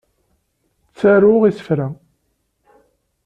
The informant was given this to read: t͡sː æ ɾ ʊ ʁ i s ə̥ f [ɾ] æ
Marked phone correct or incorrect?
correct